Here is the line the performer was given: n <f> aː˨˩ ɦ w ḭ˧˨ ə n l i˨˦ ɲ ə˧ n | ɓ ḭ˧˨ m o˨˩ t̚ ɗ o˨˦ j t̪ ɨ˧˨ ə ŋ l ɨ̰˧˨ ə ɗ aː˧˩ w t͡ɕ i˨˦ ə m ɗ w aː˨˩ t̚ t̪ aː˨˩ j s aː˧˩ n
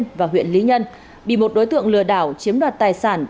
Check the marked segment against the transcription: incorrect: v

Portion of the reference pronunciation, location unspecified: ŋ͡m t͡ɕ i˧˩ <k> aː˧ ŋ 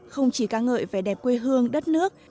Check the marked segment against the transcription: correct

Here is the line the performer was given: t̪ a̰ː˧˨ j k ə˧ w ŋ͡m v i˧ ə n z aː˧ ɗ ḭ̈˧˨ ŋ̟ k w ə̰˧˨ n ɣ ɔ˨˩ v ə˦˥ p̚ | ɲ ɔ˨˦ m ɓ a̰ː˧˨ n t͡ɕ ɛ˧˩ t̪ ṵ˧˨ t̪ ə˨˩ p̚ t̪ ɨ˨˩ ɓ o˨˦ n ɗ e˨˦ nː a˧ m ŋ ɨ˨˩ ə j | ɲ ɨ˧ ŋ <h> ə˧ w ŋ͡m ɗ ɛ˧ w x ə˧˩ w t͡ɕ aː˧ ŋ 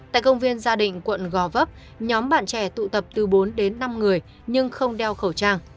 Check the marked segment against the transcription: incorrect: x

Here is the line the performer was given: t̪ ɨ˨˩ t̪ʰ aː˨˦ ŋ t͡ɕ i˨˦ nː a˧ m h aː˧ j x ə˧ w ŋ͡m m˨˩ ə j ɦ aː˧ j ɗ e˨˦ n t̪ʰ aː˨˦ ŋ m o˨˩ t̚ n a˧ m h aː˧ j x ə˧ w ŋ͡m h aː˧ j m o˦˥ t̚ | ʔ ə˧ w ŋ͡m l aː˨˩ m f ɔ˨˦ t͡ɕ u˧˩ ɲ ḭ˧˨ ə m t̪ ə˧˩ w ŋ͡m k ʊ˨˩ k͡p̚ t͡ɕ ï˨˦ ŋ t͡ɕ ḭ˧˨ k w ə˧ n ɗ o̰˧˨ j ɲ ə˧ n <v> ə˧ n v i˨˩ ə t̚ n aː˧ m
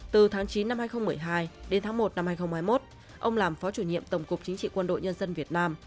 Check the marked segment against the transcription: incorrect: z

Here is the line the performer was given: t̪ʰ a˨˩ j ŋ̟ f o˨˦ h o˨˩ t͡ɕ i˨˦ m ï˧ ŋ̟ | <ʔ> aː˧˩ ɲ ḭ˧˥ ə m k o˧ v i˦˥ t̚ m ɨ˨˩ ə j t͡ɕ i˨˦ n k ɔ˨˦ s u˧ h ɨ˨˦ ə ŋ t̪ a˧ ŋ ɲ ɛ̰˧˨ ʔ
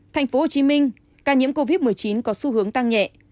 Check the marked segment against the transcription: incorrect: k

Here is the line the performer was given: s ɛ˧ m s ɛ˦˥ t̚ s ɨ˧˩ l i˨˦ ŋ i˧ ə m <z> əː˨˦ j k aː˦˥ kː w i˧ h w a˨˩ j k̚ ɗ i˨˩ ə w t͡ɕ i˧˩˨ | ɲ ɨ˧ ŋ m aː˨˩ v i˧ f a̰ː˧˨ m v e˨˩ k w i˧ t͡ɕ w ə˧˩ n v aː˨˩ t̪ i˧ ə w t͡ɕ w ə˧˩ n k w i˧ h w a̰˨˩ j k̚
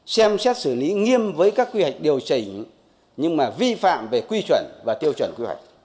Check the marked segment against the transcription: incorrect: v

